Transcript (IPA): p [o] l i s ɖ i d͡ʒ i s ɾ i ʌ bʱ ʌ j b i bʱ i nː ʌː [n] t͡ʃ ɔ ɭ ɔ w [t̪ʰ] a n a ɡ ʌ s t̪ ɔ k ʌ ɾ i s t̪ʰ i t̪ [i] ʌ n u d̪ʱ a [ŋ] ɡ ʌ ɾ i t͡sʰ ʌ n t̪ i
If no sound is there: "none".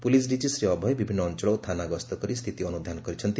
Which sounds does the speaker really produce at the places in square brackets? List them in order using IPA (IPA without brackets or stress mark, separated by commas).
u, n, t̪ʰ, i, n